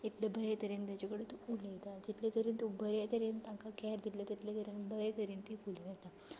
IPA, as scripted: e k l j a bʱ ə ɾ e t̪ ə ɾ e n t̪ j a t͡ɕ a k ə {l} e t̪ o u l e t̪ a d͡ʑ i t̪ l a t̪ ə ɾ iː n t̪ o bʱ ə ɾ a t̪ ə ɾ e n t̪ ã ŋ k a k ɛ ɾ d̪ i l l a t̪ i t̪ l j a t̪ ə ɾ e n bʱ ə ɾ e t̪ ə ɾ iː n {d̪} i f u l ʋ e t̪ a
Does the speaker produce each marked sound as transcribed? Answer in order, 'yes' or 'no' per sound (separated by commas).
no, no